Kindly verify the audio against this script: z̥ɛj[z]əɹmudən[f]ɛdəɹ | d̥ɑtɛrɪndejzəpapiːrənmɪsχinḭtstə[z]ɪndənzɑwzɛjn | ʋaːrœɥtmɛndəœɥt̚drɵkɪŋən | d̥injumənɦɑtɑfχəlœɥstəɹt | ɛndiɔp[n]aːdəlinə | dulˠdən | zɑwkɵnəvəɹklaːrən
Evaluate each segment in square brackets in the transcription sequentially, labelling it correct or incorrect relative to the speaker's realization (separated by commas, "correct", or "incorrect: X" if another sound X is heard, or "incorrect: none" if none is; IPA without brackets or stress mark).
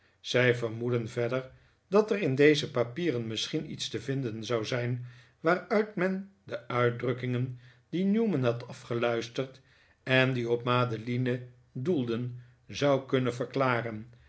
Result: incorrect: v, incorrect: v, incorrect: v, incorrect: m